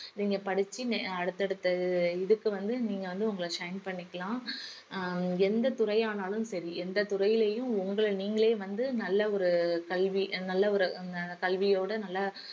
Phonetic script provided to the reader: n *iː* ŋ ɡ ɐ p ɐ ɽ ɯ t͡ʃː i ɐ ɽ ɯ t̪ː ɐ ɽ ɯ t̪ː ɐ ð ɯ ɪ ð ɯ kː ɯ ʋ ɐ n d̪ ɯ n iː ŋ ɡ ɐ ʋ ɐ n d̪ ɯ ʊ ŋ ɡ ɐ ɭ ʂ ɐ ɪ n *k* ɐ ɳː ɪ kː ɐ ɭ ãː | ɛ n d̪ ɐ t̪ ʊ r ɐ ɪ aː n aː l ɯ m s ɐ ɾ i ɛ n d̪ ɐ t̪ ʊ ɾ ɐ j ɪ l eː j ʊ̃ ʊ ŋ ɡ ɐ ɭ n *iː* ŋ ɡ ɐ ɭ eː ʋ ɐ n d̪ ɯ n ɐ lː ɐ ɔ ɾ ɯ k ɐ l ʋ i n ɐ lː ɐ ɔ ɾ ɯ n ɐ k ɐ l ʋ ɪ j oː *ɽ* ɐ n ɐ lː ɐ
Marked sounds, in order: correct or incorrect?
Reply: correct, incorrect, correct, correct

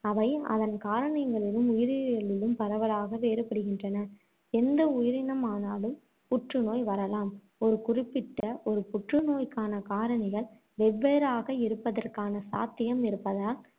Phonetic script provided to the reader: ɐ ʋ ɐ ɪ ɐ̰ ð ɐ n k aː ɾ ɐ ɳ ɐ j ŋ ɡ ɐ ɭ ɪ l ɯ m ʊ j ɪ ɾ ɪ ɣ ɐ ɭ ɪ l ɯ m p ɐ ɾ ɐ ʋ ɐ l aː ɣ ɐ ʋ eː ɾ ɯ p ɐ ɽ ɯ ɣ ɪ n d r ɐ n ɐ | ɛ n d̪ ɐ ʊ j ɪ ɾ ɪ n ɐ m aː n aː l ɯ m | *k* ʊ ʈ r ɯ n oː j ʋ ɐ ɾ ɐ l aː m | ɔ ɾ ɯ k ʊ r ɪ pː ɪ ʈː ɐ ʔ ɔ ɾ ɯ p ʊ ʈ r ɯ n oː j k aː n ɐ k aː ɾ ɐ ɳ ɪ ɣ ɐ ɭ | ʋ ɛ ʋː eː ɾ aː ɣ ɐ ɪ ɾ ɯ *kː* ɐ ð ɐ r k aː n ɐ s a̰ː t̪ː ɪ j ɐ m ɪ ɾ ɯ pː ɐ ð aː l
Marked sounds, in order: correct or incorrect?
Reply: incorrect, incorrect

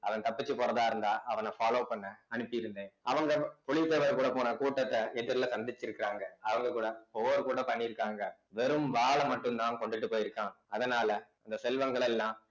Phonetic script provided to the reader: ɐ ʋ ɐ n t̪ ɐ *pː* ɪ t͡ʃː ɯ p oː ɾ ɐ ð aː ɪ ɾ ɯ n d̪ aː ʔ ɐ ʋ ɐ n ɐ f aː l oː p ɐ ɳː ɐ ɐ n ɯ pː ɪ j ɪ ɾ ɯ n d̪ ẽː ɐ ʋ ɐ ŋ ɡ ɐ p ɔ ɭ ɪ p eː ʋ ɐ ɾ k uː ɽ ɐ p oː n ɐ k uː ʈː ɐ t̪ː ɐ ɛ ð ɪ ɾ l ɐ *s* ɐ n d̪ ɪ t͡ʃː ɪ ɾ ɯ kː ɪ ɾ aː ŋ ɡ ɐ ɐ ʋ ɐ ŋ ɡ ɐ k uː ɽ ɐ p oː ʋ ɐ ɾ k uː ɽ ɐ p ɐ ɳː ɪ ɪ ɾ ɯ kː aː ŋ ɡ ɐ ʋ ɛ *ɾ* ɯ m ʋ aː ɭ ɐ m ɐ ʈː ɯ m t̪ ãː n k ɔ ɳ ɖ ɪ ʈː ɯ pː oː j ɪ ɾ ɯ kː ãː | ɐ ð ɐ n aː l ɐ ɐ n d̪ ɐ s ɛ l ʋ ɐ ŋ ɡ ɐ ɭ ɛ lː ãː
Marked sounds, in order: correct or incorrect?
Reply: correct, correct, correct

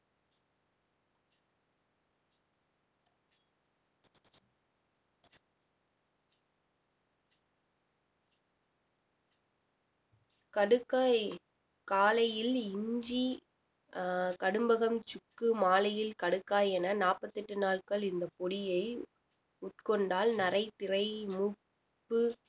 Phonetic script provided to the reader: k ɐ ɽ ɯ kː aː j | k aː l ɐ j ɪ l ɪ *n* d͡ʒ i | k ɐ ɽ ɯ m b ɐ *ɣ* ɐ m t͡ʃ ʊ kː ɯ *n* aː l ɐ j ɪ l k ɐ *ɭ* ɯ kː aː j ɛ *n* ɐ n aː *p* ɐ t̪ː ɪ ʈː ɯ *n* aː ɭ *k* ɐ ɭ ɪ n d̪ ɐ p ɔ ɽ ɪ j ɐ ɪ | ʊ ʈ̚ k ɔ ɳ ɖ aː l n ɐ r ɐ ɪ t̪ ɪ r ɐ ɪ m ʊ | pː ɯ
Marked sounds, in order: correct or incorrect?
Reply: incorrect, correct, incorrect, incorrect, correct, correct, correct, correct

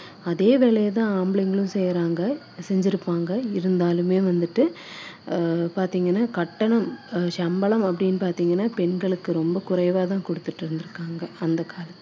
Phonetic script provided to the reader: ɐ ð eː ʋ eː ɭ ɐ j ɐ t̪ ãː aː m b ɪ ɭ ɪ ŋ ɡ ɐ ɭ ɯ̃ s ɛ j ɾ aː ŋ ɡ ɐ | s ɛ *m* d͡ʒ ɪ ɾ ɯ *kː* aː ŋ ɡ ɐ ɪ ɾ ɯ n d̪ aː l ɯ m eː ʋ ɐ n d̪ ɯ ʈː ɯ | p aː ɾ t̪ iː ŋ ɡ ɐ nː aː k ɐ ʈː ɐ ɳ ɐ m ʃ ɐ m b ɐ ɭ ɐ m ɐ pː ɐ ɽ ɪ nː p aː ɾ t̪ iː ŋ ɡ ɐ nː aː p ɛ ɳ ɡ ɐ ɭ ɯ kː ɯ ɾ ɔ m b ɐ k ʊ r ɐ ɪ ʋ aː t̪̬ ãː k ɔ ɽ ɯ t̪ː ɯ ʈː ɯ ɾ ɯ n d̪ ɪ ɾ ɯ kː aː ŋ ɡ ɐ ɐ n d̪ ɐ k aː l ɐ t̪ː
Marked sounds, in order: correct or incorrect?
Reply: incorrect, incorrect

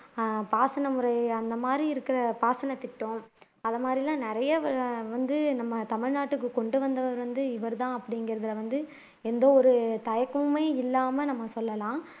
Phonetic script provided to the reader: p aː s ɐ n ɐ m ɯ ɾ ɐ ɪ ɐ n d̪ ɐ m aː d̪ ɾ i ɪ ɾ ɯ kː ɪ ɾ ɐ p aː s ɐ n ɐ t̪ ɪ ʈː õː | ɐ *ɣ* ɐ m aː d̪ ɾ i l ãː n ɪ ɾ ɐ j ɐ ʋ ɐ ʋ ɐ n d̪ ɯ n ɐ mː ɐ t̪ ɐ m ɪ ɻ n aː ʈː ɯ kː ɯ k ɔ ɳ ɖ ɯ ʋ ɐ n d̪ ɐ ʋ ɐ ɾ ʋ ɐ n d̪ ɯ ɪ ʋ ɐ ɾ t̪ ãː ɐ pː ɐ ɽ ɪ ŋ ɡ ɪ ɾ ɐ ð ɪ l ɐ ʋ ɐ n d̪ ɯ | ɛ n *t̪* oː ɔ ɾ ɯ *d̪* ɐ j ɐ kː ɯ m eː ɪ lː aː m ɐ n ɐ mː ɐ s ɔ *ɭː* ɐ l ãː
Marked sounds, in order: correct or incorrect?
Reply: incorrect, incorrect, incorrect, incorrect

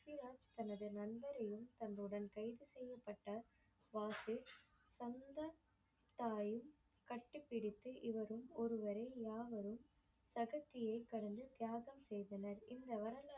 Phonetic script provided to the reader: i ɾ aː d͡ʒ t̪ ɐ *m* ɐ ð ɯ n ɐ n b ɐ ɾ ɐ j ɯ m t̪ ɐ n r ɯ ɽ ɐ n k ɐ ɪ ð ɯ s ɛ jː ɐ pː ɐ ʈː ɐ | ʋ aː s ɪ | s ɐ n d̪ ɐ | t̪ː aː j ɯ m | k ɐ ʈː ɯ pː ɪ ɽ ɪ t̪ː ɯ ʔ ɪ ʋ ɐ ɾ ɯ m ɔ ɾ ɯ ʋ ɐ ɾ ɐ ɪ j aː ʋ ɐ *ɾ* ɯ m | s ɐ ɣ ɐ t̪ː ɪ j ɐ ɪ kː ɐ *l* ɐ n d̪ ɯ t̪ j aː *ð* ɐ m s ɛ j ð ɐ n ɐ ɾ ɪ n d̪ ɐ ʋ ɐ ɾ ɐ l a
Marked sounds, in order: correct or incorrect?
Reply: incorrect, correct, incorrect, incorrect

